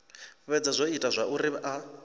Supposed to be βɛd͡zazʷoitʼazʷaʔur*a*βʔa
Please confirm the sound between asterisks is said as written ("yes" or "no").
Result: no